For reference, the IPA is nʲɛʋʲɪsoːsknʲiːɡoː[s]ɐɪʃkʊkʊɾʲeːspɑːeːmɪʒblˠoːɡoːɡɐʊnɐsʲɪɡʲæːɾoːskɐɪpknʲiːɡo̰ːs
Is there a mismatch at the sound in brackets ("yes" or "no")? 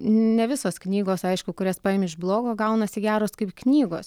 no